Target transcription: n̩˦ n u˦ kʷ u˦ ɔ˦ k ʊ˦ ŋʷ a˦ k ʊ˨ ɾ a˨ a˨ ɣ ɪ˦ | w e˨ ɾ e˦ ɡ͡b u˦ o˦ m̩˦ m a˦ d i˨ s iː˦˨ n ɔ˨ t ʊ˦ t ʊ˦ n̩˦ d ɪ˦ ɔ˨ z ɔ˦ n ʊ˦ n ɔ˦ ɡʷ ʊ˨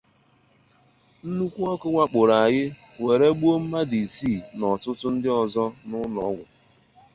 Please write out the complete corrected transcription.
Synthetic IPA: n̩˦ n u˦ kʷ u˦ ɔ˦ k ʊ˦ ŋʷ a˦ k͡p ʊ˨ ɾ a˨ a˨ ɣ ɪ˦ | w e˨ ɾ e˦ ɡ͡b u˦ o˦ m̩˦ m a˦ d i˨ s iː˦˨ n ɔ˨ t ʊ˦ t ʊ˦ n̩˦ d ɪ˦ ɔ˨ z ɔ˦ n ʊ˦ n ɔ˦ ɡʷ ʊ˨

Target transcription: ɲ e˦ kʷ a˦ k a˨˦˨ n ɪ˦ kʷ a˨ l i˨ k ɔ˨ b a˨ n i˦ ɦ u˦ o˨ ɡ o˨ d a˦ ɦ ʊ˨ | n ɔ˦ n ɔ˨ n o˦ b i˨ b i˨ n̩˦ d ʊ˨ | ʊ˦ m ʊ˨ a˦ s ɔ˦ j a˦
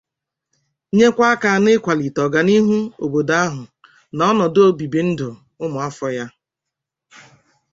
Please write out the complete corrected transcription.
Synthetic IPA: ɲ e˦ kʷ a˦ k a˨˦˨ n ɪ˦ kʷ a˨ l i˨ t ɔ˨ ɡ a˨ n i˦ ɦ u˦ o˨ b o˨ d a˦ ɦ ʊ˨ | n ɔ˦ n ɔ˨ d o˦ b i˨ b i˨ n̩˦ d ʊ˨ | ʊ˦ m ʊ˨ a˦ f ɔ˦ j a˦

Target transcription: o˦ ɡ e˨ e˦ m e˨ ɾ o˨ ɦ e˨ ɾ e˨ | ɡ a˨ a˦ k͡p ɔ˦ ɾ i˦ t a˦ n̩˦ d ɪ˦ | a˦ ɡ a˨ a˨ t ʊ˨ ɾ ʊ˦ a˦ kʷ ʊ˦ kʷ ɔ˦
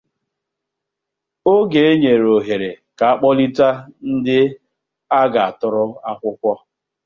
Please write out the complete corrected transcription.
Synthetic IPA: o˦ ɡ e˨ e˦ ɲ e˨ ɾ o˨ ɦ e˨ ɾ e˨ | k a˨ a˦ k͡p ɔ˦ l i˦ t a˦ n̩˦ d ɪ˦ | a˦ ɡ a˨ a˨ t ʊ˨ ɾ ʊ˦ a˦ kʷ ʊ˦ kʷ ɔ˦

